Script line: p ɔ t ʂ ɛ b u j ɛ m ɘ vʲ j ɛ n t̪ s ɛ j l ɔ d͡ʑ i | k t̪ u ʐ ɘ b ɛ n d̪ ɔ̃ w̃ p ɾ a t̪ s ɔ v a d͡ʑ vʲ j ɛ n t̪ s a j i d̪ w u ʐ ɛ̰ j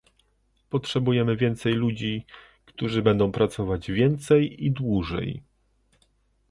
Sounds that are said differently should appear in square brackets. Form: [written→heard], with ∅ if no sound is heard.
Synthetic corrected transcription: p ɔ t ʂ ɛ b u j ɛ m ɘ vʲ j ɛ n t̪ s ɛ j l [ɔ→u] d͡ʑ i | k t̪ u ʐ ɘ b ɛ n d̪ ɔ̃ w̃ p ɾ a t̪ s ɔ v a d͡ʑ vʲ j ɛ n t̪ s [a→ɛ] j i d̪ w u ʐ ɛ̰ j